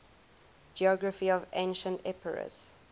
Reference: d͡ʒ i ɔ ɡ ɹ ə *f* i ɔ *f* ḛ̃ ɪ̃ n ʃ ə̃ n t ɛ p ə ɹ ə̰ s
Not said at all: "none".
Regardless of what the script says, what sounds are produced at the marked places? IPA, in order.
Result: f, v

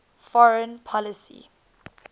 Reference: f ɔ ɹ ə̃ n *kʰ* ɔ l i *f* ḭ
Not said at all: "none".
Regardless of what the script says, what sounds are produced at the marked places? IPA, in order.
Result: pʰ, s

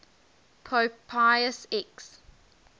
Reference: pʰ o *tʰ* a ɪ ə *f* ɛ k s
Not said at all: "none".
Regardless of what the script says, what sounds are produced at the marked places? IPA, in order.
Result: pʰ, s

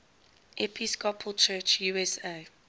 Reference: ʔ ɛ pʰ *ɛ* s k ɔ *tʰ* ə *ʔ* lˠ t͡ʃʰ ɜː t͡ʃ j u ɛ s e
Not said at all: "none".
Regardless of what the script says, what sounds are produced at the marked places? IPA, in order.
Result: i, pʰ, none

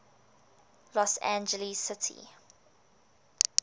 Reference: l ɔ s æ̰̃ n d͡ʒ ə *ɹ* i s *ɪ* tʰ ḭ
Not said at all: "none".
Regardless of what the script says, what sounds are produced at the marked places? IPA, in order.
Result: l, ɪ

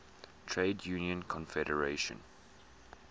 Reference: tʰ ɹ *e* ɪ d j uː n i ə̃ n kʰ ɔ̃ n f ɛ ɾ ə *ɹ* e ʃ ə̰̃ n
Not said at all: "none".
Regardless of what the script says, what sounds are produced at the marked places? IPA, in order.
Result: e, ɹ

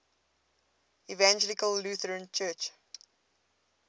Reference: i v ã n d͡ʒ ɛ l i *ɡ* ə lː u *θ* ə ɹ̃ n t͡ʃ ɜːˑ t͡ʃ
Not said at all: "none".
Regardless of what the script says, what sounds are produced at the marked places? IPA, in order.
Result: k, θ

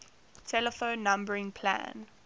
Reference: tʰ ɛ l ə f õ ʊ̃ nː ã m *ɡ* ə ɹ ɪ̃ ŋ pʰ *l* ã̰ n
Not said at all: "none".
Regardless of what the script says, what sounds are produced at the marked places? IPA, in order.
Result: b, l

